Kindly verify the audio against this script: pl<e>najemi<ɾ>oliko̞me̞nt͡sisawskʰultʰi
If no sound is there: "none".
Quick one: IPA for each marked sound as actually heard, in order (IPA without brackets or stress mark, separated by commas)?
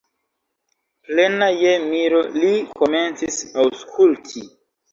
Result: e, ɾ